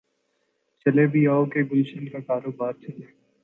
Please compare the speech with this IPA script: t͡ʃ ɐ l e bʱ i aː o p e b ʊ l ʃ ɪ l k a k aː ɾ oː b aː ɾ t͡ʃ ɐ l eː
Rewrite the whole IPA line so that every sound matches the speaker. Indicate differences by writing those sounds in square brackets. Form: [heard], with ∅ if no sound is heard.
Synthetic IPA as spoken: t͡ʃ ɐ l e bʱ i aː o [k] e [ɡ] ʊ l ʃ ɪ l k a k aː ɾ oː b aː ɾ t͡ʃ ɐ l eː